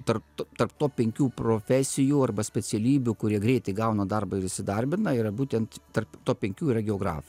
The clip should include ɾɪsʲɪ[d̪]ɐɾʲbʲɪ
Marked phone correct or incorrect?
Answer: correct